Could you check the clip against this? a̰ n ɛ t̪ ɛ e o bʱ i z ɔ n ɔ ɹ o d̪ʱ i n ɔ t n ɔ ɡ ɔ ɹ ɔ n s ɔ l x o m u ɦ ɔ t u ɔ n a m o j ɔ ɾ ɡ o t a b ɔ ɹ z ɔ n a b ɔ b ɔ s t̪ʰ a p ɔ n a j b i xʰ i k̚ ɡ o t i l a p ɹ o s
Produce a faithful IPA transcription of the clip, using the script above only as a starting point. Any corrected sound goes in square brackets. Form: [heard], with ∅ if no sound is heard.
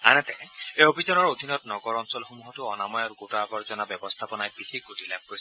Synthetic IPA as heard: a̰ n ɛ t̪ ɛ e o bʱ i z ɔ n ɔ ɹ o d̪ʱ i n ɔ t n ɔ ɡ ɔ ɹ ɔ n s ɔ l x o m u ɦ ɔ t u ɔ n a m [ɔ] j ɔ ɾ ɡ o t a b ɔ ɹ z ɔ n a b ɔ b ɔ s t̪ʰ a p ɔ n a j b i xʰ i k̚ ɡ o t i l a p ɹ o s